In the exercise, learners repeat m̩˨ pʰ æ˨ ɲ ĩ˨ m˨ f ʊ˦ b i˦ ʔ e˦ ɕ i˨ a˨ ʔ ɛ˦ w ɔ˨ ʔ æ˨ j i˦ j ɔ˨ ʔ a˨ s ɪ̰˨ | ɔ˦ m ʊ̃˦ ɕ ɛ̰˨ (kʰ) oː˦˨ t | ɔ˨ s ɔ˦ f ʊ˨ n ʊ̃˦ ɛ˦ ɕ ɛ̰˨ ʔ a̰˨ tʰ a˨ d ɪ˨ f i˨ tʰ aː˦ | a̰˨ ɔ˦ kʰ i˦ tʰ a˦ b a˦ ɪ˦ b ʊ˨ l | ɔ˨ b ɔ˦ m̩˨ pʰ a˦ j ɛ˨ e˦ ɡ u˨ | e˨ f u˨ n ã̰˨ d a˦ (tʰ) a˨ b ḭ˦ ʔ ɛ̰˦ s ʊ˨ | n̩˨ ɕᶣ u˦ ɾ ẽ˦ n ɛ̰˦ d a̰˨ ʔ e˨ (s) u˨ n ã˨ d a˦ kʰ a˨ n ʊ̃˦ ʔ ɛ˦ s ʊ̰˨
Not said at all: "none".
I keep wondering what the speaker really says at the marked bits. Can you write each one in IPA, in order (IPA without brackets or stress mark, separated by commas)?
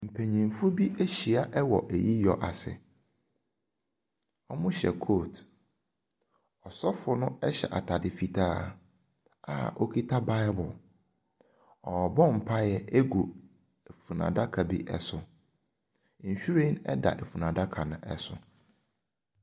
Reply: kʰ, kʰ, f